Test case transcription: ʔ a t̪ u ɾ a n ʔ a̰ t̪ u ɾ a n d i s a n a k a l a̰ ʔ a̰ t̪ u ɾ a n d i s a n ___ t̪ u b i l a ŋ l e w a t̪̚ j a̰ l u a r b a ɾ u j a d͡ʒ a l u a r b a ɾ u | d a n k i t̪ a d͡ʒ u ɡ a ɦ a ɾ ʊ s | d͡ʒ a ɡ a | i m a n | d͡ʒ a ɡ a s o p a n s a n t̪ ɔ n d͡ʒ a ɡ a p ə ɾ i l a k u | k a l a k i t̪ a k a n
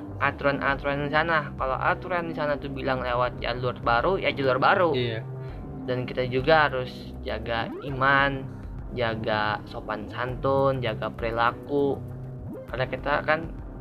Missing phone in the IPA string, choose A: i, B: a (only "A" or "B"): B